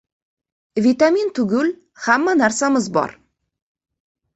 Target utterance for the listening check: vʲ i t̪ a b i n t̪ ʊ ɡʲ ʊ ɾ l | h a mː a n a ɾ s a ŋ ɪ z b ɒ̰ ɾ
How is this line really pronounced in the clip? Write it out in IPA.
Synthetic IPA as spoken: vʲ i t̪ a m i n t̪ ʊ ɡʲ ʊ l | h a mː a n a ɾ s a m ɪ z b ɒ̰ ɾ